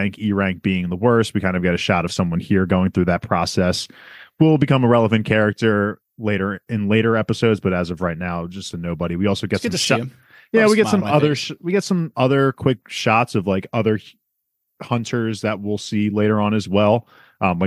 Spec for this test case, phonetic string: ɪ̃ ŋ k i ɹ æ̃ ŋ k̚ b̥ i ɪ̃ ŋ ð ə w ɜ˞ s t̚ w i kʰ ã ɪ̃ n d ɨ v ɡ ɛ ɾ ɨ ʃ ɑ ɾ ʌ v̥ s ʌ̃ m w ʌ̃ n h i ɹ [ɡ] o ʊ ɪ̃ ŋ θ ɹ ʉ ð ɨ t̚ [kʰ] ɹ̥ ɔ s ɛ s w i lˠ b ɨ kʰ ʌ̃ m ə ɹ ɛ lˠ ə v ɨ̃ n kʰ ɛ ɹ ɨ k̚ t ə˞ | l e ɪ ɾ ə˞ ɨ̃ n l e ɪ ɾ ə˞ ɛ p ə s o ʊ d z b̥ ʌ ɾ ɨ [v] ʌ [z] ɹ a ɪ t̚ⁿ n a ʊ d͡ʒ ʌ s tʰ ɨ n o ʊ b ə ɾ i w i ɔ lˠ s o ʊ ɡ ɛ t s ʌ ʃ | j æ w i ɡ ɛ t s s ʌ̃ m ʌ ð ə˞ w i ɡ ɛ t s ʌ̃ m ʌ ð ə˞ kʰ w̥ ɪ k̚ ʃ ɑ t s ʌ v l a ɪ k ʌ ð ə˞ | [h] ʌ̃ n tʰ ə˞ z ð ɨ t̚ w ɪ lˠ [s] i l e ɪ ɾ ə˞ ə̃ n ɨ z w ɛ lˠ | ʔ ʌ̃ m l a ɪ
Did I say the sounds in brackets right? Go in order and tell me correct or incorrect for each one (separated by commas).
correct, incorrect, incorrect, incorrect, correct, correct